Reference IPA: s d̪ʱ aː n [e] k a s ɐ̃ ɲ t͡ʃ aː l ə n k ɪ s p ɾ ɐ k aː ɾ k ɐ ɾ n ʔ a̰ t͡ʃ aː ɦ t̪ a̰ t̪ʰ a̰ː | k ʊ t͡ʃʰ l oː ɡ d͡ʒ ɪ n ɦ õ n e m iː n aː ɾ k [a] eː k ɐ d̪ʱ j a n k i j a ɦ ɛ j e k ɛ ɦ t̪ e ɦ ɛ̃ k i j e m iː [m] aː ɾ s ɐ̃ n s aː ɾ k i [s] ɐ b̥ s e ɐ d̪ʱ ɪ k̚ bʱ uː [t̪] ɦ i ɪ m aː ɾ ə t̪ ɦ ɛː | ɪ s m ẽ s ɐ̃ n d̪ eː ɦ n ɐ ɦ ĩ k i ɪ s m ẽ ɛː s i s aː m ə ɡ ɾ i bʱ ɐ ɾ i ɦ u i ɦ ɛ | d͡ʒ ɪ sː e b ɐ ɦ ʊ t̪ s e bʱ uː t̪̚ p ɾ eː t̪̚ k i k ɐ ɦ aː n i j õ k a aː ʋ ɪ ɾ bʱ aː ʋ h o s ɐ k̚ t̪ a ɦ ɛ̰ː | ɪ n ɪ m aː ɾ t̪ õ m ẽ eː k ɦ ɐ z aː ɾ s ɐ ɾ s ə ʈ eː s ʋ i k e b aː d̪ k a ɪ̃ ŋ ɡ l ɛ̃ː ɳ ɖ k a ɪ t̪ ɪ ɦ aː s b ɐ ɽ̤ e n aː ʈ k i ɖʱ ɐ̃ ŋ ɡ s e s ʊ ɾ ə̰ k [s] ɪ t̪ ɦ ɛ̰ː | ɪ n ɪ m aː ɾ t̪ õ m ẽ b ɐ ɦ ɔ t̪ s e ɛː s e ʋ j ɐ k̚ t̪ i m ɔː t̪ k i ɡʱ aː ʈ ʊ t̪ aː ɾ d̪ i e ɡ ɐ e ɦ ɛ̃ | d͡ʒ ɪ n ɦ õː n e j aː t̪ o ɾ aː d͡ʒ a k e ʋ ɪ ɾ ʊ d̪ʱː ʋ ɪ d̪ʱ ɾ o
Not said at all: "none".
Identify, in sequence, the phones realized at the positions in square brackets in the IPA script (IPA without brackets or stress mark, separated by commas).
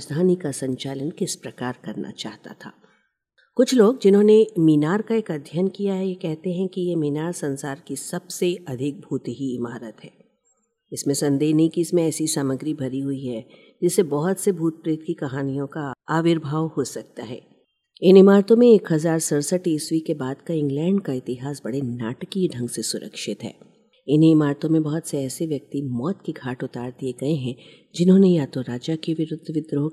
i, a, n, s, t̪, ʃ